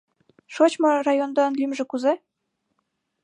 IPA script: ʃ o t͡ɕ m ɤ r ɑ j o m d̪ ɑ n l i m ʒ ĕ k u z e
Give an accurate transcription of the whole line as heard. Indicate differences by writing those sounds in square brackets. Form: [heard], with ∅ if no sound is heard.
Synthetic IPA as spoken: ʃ o t͡ɕ m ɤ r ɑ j o [n] d̪ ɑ n l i m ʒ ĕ k u z e